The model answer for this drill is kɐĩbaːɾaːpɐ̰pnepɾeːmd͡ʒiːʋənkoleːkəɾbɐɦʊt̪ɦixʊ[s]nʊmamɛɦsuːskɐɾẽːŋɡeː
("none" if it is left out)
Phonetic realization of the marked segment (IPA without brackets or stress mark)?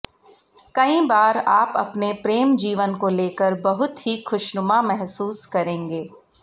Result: ʃ